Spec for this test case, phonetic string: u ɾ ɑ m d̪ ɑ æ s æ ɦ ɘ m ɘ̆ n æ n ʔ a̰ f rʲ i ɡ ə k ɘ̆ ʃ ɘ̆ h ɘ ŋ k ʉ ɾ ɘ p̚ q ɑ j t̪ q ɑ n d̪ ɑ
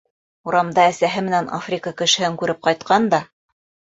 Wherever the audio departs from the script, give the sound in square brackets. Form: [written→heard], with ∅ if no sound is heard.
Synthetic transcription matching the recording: u ɾ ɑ m d̪ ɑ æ s æ ɦ ɘ m ɘ̆ n æ n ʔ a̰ f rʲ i [ɡ→k] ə k ɘ̆ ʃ ɘ̆ h ɘ ŋ k ʉ ɾ ɘ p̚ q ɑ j t̪ q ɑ n d̪ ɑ